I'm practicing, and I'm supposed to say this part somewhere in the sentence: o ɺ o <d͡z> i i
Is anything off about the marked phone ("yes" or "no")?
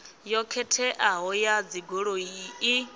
yes